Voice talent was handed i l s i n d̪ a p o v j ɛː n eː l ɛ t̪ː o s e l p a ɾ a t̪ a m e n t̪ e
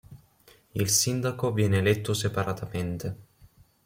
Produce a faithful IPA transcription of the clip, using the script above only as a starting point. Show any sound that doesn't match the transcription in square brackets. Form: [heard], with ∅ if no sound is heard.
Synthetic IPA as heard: i l s i n d̪ a [k] o v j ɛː n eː l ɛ t̪ː o s e [∅] p a ɾ a t̪ a m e n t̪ e